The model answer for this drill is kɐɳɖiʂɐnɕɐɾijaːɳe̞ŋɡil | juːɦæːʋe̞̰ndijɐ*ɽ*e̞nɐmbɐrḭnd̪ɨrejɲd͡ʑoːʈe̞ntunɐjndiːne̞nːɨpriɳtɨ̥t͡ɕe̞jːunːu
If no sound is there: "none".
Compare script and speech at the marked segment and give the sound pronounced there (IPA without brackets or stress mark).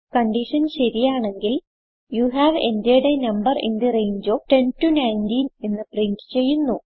ɽ